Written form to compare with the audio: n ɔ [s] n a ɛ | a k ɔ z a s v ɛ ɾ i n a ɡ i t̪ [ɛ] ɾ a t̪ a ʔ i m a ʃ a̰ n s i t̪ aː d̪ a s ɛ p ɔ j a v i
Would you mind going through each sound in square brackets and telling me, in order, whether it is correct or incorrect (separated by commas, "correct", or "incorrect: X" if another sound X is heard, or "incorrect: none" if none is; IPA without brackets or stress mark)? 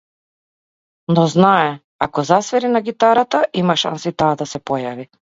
incorrect: z, incorrect: a